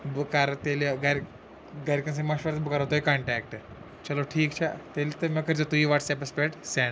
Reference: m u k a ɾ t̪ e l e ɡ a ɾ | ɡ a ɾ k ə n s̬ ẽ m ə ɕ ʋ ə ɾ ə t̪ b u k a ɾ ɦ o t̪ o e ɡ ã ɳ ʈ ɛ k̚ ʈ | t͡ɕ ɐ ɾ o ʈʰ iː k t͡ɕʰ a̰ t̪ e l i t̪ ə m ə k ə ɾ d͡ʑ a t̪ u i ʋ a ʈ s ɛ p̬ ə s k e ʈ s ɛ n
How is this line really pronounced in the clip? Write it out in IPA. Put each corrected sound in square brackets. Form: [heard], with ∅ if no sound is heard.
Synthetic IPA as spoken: [b] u k a ɾ t̪ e l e ɡ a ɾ | ɡ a ɾ k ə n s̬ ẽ m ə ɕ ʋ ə ɾ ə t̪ b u k a ɾ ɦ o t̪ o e [k] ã ɳ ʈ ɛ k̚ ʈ | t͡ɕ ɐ [l] o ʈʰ iː k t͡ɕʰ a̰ t̪ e l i t̪ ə m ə k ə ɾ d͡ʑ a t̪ u i ʋ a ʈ s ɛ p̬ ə s [p] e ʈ s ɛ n